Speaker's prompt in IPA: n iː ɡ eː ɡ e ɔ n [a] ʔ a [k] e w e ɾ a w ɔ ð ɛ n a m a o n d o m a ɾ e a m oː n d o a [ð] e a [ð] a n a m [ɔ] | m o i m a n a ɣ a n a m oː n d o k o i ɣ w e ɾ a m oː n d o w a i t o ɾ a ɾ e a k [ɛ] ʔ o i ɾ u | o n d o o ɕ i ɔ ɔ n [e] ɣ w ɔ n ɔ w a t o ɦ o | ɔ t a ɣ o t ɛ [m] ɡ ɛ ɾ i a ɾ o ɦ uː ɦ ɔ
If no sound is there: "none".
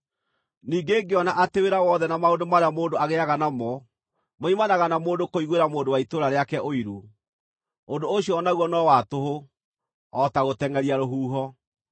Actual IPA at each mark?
a, t, ɣ, ɣ, ɔ, ɛ, a, ŋ

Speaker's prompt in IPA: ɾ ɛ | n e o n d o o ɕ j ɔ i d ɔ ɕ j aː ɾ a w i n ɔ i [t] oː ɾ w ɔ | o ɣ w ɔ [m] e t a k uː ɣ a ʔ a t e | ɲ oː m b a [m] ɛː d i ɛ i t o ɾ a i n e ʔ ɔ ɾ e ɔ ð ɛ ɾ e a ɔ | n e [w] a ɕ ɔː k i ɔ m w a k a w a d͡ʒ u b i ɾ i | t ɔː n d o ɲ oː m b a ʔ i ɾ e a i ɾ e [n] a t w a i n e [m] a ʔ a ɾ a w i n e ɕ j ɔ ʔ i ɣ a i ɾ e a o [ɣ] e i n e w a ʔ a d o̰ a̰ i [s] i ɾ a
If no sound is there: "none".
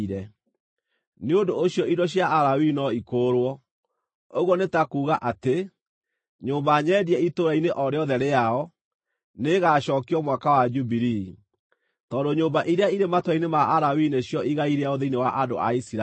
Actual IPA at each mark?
k, n, ɲ, ɣ, m, m, ð, s

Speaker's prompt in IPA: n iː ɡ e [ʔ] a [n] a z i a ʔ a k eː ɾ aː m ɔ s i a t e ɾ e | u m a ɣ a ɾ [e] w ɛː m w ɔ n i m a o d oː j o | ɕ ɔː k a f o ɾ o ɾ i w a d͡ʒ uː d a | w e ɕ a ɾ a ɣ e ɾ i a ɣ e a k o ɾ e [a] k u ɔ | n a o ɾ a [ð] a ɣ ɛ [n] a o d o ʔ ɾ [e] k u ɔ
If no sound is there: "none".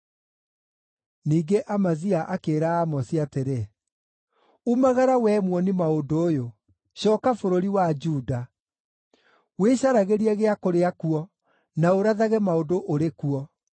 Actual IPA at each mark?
ʔ, m, a, a, ð, m, e

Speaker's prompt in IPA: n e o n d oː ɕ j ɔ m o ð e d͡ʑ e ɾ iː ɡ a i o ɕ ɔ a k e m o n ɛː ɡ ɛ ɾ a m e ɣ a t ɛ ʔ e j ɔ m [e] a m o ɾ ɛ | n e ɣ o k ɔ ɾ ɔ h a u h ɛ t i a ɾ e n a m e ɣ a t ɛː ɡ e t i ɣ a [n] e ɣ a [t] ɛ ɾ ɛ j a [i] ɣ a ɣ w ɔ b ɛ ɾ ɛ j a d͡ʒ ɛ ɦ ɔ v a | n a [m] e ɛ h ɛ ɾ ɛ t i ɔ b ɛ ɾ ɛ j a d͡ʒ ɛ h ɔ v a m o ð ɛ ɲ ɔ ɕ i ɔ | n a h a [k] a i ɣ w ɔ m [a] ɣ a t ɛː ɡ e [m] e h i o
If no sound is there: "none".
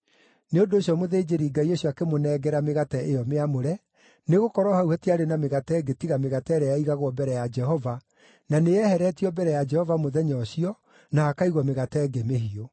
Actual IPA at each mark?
e, m, t, i, n, k, e, m

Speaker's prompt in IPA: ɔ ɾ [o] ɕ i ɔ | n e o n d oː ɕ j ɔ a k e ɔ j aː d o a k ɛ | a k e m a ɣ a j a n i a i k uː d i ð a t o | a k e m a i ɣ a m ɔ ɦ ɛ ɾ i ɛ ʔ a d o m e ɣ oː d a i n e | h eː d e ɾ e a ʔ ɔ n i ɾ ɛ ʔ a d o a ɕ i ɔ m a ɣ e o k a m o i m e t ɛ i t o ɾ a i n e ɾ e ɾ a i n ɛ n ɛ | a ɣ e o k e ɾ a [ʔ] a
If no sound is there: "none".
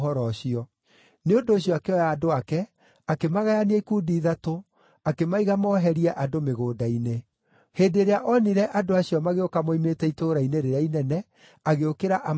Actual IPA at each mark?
ɔ, ʔ

